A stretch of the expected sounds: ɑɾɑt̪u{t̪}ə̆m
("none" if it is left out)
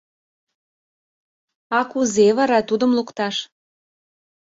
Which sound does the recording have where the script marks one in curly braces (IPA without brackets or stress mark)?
d̪